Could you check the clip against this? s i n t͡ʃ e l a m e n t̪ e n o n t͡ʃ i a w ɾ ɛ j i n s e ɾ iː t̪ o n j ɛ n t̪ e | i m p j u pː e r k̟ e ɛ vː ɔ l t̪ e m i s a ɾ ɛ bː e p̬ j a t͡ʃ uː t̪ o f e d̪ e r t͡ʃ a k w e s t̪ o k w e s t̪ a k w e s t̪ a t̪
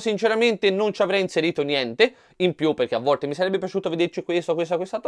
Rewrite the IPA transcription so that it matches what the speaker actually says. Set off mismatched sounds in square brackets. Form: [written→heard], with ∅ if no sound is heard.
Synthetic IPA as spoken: s i n t͡ʃ e [l→ɾ] a m e n t̪ e n o n t͡ʃ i a [w→v] ɾ ɛ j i n s e ɾ iː t̪ o n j ɛ n t̪ e | i m p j u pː e r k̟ e [ɛ→a] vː ɔ l t̪ e m i s a ɾ ɛ bː e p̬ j a t͡ʃ uː t̪ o [f→v] e d̪ e r t͡ʃ [a→i] k w e s t̪ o k w e s t̪ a k w e s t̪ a t̪

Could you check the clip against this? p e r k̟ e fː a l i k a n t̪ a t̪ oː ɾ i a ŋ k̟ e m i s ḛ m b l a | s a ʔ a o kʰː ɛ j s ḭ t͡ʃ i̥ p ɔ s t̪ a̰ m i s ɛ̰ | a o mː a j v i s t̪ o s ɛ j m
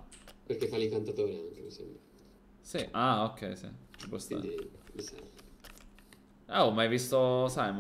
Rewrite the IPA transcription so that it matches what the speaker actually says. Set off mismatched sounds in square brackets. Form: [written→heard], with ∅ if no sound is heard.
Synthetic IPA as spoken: p e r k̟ e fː a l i k a n t̪ a t̪ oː ɾ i a ŋ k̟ e m i s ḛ m b [l→ɾ] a | s [a→i] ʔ a o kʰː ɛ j s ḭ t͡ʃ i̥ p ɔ s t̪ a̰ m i s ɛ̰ | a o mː a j v i s t̪ o s [ɛ→a] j m

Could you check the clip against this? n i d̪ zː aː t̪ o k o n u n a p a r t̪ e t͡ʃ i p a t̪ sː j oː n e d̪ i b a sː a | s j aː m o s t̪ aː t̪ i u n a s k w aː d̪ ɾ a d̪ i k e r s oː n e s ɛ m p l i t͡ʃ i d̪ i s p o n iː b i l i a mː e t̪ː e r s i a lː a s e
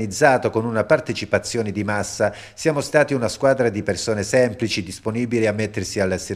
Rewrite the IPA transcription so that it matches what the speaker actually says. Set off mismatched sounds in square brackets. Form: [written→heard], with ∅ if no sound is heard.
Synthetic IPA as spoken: n i d̪ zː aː t̪ o k o n u n a p a r t̪ e t͡ʃ i p a t̪ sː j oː n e d̪ i [b→m] a sː a | s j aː m o s t̪ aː t̪ i u n a s k w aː d̪ ɾ a d̪ i [k→p] e r s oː n e s ɛ m p l i t͡ʃ i d̪ i s p o n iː b i l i a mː e t̪ː e r s i a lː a s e

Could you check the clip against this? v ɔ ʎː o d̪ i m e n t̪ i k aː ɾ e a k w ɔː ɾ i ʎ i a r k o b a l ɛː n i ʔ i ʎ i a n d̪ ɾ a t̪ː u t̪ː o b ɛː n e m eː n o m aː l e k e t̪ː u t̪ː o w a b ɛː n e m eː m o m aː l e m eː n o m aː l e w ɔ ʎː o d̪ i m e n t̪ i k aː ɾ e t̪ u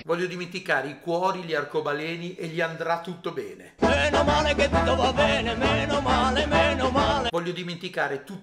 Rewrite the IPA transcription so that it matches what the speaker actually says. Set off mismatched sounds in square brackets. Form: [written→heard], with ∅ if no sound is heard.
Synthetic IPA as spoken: v ɔ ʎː o d̪ i m e n t̪ i k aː ɾ e [a→i] k w ɔː ɾ i ʎ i a r k o b a l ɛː n i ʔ [i→e] ʎ i a n d̪ ɾ a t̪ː u t̪ː o b ɛː n e m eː n o m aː l e k e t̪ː u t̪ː o [w→v] a b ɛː n e m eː [m→n] o m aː l e m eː n o m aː l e [w→v] ɔ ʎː o d̪ i m e n t̪ i k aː ɾ e t̪ u

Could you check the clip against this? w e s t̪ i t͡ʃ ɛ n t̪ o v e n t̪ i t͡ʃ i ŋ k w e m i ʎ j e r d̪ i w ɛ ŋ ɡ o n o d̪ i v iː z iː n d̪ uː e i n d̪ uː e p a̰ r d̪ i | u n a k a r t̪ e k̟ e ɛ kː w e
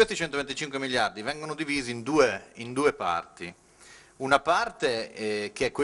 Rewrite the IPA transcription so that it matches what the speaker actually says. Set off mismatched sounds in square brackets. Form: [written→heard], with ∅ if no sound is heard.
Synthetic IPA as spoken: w e s t̪ i t͡ʃ ɛ n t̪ o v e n t̪ i t͡ʃ i ŋ k w e m i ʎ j [e→a] r d̪ i [w→v] ɛ ŋ ɡ o n o d̪ i v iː z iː n d̪ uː e i n d̪ uː e p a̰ r [d̪→t̪] i | u n a [k→p] a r t̪ e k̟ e ɛ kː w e

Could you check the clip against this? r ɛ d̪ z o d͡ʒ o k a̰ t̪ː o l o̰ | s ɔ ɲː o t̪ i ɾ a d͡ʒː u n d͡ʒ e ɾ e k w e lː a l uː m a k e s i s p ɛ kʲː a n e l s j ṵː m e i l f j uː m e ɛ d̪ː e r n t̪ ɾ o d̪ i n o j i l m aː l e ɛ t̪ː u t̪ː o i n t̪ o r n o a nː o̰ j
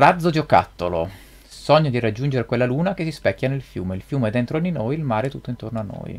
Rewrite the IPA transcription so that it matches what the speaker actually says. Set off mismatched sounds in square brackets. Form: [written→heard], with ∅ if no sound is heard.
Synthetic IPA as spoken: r [ɛ→a] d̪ z o d͡ʒ o k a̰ t̪ː o l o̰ | s ɔ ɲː o [t̪→d̪] i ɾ a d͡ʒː u n d͡ʒ e ɾ e k w e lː a l uː [m→n] a k e s i s p ɛ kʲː a n e l [s→f] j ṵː m e i l f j uː m e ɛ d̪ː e [r→∅] n t̪ ɾ o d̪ i n o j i l m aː [l→ɾ] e ɛ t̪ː u t̪ː o i n t̪ o r n o a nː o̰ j

